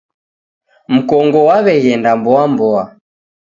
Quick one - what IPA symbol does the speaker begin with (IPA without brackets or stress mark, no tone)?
m̩